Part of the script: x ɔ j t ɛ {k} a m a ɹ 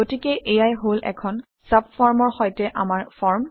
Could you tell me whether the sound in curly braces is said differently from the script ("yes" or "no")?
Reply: yes